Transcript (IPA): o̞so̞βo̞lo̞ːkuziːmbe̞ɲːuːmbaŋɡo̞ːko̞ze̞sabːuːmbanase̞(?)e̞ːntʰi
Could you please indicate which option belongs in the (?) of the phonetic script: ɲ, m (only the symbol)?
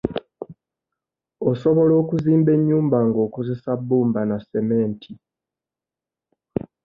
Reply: m